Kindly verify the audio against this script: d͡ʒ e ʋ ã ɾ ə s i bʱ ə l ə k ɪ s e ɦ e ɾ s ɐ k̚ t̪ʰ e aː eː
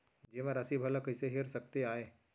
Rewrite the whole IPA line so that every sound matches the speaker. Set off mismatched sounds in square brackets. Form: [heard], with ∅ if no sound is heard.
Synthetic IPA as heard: d͡ʒ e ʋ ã ɾ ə s i bʱ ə l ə k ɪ s e ɦ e ɾ s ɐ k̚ [t̪] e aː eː